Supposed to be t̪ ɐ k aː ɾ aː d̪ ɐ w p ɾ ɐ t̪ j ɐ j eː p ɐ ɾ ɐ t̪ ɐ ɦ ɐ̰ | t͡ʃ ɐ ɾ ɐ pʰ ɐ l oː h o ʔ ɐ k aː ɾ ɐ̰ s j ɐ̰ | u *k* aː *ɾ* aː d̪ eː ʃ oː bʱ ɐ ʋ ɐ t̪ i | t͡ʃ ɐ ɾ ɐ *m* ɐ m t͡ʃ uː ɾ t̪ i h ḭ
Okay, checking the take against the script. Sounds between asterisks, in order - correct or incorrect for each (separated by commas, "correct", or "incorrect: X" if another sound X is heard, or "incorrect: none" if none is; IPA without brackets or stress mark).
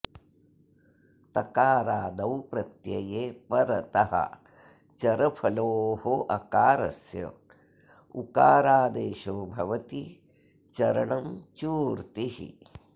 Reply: correct, correct, incorrect: ɳ